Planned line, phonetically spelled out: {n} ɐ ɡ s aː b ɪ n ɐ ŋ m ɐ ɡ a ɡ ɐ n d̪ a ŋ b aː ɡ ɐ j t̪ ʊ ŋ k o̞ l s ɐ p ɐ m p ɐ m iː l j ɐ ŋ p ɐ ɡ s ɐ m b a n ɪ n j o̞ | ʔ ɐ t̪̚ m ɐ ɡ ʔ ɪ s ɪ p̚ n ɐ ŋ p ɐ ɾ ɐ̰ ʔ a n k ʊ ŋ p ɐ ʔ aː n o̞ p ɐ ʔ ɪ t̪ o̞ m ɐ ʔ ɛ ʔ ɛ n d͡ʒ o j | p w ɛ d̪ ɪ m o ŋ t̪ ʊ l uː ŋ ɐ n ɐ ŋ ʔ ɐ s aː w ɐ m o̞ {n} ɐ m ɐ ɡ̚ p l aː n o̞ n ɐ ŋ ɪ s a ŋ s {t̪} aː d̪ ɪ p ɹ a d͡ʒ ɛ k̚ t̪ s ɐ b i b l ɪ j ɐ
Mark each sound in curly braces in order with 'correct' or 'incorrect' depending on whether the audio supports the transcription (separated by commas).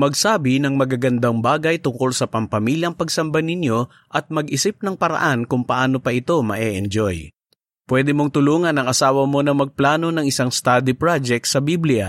incorrect, correct, correct